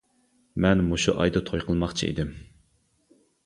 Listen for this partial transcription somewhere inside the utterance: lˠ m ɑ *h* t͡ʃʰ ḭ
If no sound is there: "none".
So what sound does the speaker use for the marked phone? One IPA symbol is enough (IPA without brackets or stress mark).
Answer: χ